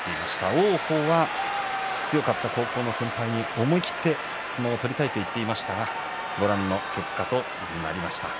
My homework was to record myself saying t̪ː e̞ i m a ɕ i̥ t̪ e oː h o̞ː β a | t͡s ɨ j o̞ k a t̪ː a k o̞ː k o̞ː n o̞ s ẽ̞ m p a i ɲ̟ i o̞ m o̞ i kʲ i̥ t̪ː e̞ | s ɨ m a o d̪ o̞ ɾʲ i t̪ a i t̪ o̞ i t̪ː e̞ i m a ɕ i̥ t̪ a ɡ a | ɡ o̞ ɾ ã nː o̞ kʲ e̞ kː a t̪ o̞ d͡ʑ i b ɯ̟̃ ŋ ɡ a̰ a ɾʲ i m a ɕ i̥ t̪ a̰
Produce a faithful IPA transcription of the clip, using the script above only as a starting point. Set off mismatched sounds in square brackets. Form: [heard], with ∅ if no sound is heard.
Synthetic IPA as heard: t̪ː e̞ i m a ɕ i̥ t̪ [a] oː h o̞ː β a | t͡s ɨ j o̞ k a t̪ː a k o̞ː k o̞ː n o̞ s ẽ̞ m p a i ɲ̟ i o̞ m o̞ i kʲ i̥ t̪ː e̞ | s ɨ m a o [t̪] o̞ ɾʲ i t̪ a i t̪ o̞ i t̪ː e̞ i m a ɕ i̥ t̪ a ɡ a | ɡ o̞ ɾ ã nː o̞ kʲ e̞ kː a t̪ o̞ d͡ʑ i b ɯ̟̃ ŋ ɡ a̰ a ɾʲ i m a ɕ i̥ t̪ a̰